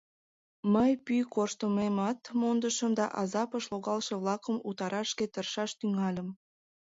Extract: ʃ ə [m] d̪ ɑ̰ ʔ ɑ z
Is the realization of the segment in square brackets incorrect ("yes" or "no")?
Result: no